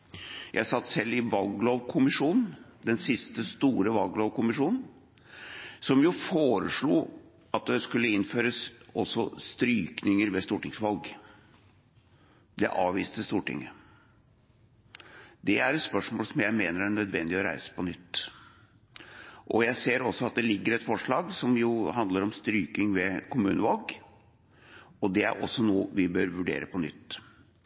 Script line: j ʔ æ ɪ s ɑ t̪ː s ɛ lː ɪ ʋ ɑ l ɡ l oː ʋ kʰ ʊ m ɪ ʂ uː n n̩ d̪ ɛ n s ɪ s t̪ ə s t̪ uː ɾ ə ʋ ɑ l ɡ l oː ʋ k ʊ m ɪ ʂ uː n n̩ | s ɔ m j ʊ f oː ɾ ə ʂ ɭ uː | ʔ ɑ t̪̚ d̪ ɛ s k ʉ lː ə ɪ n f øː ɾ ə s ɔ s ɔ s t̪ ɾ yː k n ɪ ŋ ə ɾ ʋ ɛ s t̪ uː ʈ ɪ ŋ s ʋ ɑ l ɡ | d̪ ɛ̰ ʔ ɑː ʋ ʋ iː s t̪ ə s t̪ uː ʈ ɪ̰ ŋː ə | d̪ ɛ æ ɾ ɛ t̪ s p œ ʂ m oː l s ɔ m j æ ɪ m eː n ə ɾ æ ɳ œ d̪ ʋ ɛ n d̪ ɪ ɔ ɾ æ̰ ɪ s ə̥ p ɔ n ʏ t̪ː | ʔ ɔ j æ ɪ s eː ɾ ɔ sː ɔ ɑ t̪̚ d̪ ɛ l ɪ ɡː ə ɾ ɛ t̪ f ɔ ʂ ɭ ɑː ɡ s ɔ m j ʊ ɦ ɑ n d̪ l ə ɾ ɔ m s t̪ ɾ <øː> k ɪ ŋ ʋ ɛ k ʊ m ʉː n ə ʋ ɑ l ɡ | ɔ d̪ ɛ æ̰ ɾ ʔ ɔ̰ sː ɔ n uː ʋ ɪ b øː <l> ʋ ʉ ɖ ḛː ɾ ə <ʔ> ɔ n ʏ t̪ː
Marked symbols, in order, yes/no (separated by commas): no, no, no